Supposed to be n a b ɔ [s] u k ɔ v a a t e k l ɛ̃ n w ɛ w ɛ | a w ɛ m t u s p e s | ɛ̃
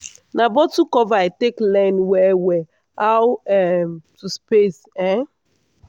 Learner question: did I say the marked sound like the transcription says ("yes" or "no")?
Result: no